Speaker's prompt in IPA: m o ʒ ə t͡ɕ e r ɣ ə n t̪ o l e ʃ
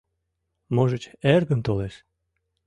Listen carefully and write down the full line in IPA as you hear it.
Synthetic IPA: m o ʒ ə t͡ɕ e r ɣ ə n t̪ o l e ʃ

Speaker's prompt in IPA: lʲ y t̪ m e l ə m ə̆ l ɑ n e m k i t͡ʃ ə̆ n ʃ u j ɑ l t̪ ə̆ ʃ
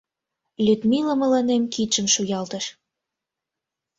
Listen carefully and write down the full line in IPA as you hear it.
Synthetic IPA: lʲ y t̪ m i l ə m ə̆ l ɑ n e m k i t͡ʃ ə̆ m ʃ u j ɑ l t̪ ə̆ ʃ

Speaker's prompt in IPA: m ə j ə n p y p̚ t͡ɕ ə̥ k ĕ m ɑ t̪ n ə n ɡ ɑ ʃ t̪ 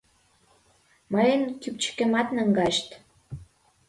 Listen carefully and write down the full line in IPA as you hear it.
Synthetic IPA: m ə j ə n k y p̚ t͡ɕ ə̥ k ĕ m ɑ t̪ n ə ŋ ɡ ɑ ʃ t̪

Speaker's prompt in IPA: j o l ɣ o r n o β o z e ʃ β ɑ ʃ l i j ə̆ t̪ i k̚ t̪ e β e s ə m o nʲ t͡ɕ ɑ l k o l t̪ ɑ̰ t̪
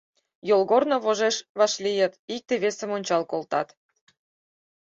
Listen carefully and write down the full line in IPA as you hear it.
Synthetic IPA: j o l ɣ o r n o β o ʒ e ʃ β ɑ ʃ l i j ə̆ t̪ i k̚ t̪ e β e s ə m o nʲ t͡ɕ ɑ l k o l t̪ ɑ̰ t̪

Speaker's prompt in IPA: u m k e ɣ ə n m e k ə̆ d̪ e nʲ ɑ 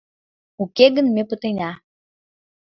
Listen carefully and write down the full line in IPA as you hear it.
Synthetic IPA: u k e ɣ ə n m e p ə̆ t̪ e nʲ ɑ

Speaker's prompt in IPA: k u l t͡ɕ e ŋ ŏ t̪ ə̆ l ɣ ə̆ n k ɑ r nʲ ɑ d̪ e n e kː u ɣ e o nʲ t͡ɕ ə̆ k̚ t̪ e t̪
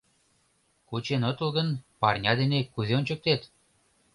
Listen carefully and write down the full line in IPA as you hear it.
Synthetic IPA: k u t͡ɕ e n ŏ t̪ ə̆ l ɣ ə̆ n p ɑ r nʲ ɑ d̪ e n e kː u z e o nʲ t͡ɕ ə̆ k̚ t̪ e t̪

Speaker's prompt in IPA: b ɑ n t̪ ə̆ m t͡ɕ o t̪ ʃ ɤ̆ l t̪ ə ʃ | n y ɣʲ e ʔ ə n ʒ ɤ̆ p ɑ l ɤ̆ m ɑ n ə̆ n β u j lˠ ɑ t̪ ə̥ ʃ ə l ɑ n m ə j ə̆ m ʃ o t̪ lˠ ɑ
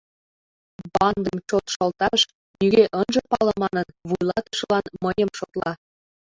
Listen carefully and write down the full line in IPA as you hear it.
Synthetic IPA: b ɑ n d̪ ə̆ m t͡ɕ o t̪ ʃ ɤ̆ l t̪ ɑ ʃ | n y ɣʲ e ʔ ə n ʒ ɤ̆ p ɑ l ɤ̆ m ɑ n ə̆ n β u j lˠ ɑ t̪ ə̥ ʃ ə l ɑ n m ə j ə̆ m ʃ o t̪ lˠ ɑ

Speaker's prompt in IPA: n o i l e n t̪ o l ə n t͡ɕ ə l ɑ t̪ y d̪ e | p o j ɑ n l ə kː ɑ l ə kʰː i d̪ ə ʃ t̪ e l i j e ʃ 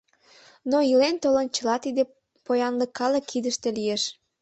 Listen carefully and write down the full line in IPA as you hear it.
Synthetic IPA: n o i l e n t̪ o l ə n t͡ɕ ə l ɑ t̪ i d̪ e | p o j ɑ n l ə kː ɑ l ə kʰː i d̪ ə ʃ t̪ e l i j e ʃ

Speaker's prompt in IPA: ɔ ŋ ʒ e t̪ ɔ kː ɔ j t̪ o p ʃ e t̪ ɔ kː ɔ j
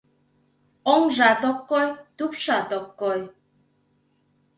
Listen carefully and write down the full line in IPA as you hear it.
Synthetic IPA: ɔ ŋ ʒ a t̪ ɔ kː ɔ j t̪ u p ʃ a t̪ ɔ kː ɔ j

